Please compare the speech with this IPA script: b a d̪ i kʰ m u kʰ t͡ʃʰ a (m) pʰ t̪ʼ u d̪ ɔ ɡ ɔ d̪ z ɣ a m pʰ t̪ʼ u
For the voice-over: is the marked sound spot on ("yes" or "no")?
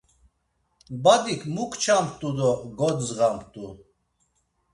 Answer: yes